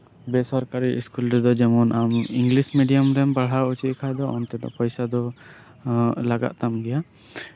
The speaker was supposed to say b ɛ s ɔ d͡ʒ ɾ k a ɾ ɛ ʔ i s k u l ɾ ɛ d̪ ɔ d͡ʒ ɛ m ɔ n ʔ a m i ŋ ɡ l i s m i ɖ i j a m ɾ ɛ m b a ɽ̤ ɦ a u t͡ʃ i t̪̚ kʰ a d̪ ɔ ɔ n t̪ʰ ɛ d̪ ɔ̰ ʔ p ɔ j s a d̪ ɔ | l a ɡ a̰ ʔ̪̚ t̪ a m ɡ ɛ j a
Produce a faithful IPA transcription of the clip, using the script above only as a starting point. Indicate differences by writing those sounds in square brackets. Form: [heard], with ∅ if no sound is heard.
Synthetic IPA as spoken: b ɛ s ɔ [∅] ɾ k a ɾ [i] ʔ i s k u l ɾ ɛ d̪ ɔ d͡ʒ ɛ m ɔ n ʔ a m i ŋ ɡ l i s m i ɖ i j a m ɾ ɛ m b a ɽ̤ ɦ a u t͡ʃ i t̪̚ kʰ a d̪ ɔ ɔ n [t̪] ɛ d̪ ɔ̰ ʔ p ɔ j s a d̪ ɔ | l a ɡ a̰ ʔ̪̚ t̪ a m ɡ ɛ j a

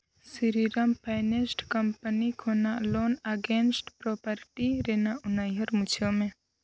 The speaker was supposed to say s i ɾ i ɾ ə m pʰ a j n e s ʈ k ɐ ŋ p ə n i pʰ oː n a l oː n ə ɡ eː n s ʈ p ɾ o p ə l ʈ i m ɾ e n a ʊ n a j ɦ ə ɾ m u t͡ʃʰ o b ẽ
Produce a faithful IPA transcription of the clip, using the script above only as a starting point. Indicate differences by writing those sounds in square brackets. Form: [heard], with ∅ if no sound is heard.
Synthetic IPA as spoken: s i ɾ i ɾ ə m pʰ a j n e s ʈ k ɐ [m] p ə n i [kʰ] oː n a l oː n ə ɡ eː n s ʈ p ɾ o p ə [ɾ] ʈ i [∅] ɾ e n a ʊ n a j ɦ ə ɾ m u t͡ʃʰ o [m] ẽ

